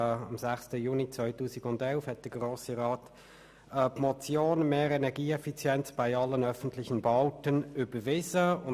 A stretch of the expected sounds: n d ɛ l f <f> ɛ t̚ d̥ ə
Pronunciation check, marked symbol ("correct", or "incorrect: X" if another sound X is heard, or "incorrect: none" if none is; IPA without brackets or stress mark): incorrect: h